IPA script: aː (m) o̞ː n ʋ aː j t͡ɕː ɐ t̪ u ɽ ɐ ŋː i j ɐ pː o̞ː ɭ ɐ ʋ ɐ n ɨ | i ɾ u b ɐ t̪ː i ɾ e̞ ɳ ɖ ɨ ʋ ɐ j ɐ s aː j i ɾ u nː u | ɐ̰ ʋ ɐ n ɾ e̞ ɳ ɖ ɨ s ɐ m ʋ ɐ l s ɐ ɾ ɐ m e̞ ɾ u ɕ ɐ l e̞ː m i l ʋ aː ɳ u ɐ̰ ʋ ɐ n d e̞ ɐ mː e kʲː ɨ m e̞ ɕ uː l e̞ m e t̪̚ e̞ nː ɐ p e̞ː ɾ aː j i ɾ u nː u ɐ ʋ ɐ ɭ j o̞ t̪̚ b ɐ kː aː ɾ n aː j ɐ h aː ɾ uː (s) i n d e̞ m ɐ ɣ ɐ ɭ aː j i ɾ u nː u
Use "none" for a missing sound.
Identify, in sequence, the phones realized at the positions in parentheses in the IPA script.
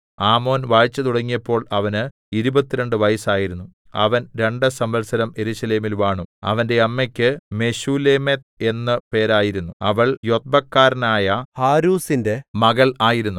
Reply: m, s

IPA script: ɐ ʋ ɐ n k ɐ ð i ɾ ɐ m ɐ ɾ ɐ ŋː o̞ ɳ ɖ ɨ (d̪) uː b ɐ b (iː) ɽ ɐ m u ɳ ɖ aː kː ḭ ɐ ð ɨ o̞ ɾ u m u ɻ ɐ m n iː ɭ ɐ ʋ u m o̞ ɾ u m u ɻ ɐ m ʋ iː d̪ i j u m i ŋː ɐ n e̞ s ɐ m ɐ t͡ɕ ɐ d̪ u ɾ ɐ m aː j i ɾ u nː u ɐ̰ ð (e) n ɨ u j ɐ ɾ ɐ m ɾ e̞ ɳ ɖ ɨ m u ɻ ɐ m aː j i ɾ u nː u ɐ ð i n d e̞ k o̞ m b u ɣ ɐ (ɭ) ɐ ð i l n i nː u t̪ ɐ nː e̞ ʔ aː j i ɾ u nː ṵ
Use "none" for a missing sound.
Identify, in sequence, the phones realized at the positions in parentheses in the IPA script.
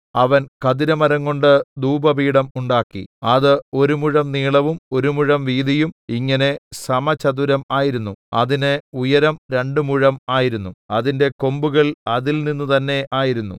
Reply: d̪, iː, i, ɭ

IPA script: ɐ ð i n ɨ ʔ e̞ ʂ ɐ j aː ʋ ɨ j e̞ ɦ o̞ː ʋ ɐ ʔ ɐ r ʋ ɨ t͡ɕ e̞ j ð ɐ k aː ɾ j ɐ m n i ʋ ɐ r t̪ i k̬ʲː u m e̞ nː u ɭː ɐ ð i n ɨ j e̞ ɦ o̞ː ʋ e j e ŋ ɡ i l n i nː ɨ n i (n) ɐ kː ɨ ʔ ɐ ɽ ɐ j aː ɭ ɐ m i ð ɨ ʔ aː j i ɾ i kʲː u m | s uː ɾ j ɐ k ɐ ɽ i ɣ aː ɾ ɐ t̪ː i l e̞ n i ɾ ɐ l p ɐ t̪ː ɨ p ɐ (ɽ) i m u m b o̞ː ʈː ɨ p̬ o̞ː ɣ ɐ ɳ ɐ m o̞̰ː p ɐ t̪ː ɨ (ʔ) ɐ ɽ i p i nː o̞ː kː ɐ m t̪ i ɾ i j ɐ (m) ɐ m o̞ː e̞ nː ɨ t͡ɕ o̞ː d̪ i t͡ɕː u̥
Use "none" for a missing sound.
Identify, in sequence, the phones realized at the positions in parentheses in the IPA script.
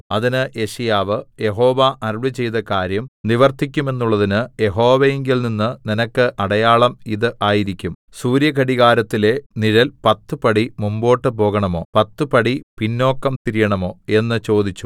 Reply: n, ɽ, p, ɳ

